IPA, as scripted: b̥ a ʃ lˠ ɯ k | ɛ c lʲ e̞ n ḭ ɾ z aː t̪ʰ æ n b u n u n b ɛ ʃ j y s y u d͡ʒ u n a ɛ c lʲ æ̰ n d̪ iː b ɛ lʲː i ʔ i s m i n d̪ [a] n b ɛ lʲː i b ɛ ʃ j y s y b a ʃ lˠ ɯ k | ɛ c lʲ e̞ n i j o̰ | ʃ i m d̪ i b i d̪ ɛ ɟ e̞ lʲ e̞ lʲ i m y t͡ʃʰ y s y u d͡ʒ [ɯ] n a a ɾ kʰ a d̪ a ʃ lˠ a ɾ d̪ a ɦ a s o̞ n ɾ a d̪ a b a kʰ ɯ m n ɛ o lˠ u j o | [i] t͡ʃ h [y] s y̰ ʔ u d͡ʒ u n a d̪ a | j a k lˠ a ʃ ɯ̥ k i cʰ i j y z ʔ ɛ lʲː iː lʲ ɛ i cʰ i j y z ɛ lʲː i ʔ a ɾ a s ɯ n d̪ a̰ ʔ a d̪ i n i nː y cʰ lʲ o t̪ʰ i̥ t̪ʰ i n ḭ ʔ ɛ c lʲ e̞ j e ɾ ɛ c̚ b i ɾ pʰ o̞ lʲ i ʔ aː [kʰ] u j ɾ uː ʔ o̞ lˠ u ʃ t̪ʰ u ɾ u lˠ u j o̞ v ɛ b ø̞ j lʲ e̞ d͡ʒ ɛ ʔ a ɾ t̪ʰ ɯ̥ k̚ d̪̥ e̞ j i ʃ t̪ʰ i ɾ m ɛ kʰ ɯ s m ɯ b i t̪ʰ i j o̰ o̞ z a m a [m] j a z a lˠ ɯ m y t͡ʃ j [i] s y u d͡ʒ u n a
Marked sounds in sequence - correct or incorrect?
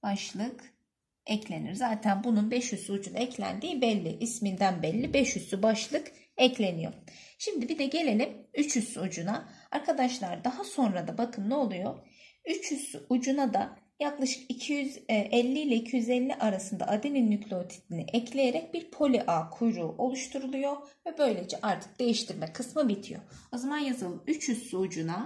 incorrect, incorrect, incorrect, correct, correct, incorrect, incorrect

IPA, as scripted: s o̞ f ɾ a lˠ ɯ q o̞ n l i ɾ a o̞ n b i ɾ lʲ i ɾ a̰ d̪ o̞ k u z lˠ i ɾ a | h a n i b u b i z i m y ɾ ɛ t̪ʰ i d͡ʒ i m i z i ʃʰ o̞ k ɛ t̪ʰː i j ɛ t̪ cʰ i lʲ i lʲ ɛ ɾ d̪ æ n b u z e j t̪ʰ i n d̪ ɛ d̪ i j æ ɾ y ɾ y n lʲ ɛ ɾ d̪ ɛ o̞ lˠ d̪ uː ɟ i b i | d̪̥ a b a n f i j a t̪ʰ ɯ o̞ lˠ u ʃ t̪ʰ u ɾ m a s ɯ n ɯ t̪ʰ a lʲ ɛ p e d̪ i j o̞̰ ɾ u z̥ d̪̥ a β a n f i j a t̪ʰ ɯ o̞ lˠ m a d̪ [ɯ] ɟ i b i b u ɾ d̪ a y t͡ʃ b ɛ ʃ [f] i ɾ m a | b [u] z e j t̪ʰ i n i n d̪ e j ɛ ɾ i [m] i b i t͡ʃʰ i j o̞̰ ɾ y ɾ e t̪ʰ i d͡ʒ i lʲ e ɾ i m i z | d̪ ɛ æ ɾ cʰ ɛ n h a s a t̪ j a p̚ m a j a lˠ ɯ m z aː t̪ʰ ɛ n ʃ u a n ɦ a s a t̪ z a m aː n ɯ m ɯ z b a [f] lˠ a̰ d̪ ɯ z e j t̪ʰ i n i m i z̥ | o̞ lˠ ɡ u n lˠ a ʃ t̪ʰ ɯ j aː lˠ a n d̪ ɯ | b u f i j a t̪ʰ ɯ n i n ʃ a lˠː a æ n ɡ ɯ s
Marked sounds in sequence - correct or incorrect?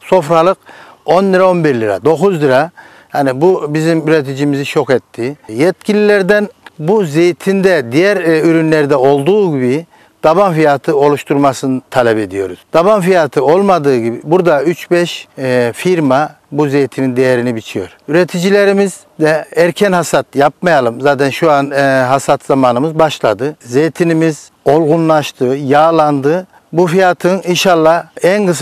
incorrect, correct, correct, incorrect, incorrect

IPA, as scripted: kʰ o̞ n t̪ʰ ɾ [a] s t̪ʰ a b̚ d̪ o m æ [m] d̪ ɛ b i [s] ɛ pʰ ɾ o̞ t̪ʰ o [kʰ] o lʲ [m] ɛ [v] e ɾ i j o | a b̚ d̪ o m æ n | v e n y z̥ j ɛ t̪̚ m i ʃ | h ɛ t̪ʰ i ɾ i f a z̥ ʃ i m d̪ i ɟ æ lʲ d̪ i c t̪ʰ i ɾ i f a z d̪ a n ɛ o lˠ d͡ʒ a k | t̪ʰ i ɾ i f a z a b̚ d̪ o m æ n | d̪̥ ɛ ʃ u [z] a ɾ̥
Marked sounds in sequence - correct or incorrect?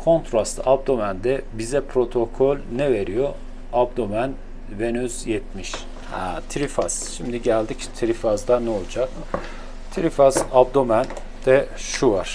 correct, incorrect, incorrect, correct, incorrect, correct, incorrect

